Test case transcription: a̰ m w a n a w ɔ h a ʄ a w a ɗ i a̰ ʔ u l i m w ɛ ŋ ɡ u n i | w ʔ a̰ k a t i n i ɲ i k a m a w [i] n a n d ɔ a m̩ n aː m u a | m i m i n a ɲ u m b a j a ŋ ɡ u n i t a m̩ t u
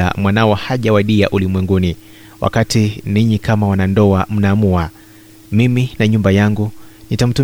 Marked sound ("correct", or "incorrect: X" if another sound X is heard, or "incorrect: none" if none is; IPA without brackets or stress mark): incorrect: a